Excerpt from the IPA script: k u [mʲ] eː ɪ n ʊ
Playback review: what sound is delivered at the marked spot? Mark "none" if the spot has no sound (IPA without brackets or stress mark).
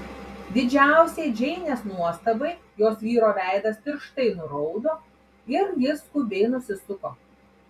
bʲ